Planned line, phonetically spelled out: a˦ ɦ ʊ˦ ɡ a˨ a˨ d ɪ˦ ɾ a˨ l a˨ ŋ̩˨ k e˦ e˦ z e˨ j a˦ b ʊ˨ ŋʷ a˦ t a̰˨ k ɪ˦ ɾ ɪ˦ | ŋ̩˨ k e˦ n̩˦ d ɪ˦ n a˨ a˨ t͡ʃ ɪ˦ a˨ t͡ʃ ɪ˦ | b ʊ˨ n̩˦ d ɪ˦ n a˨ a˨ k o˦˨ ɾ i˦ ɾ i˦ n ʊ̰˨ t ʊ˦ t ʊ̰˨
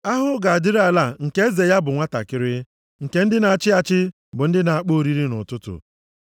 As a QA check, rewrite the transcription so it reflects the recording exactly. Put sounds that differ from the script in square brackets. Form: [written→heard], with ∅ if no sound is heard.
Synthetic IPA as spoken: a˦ ɦ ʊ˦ ɡ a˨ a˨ d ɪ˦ ɾ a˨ l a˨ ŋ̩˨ k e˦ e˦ z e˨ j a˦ b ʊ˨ ŋʷ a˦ t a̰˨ k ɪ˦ ɾ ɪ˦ | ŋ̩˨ k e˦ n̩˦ d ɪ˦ n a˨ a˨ t͡ʃ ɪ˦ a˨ t͡ʃ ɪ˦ | b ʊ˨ n̩˦ d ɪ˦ n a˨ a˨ [k→k͡p] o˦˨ ɾ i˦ ɾ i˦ n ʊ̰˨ t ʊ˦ t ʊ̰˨